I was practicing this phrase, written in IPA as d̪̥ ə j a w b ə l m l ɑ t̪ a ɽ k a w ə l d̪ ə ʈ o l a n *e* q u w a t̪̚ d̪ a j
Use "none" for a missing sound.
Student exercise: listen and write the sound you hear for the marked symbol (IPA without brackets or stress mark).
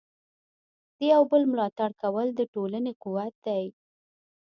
e